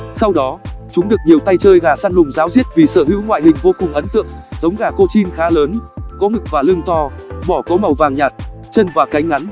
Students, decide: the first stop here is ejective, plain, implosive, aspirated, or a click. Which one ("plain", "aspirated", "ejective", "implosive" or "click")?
implosive